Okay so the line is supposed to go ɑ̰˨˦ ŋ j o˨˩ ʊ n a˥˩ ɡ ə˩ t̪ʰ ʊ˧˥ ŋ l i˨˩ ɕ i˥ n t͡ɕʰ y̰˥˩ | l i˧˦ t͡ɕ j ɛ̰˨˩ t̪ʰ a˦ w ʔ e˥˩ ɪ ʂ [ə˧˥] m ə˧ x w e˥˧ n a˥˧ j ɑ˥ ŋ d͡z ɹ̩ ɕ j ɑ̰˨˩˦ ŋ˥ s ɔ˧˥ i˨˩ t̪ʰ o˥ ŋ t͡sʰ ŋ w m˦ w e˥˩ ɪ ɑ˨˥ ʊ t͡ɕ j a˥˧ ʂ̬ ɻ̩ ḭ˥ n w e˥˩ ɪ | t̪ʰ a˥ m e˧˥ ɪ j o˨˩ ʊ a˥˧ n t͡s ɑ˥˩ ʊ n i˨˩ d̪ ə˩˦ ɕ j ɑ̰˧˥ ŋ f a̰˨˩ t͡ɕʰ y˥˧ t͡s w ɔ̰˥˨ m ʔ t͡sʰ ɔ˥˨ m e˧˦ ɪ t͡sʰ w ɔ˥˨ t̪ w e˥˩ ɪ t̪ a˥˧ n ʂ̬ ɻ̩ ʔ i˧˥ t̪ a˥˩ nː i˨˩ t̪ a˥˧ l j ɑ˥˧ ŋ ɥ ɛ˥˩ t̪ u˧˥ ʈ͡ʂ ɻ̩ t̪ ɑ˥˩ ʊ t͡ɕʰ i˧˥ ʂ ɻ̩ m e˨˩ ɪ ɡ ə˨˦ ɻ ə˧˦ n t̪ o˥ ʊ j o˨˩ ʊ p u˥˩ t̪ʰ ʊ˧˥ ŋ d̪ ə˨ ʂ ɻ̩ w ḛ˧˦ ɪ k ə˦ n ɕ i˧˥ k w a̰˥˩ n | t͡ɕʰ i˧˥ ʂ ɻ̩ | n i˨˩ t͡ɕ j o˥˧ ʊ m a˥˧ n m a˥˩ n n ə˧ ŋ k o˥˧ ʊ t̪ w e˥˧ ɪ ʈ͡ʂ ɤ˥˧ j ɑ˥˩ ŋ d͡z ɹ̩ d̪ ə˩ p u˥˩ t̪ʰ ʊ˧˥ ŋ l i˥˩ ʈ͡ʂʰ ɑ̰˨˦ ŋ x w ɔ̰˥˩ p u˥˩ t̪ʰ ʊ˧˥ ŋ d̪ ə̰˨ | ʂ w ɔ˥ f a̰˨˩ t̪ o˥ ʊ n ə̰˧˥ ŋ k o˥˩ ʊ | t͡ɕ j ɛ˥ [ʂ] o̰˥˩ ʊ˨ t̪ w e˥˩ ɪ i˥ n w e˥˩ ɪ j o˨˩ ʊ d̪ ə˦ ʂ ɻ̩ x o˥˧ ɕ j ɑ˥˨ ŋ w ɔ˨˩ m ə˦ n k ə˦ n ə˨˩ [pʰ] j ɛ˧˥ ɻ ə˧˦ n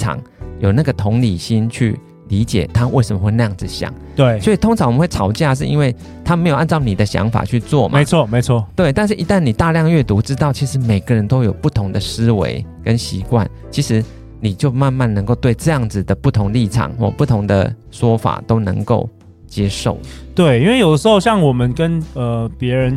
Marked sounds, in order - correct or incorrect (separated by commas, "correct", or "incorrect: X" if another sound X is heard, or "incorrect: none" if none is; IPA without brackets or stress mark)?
incorrect: ə˨˩, correct, incorrect: p